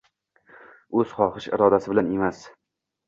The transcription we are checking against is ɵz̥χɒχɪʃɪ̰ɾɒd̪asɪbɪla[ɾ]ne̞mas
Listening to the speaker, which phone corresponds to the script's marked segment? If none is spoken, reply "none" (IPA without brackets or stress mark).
none